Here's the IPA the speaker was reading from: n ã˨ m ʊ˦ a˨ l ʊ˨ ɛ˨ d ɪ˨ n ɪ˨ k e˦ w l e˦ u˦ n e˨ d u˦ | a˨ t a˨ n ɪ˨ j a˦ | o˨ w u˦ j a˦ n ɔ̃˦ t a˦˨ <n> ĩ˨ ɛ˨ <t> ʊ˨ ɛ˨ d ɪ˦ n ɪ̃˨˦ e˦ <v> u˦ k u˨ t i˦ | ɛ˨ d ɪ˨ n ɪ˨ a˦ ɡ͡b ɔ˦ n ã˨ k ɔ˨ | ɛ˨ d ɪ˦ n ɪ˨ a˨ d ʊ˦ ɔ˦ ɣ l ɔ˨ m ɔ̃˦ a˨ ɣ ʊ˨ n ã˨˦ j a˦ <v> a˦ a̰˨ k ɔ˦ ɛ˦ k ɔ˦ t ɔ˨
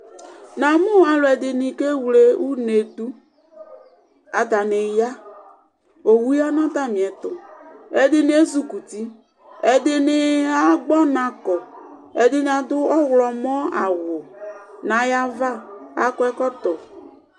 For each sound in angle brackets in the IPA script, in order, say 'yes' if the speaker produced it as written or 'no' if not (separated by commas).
no, yes, no, yes